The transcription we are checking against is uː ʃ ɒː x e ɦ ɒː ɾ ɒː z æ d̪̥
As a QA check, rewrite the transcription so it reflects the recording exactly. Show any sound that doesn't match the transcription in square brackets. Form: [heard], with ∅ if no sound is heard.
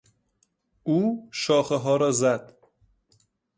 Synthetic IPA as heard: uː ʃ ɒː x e ɦ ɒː ɾ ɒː z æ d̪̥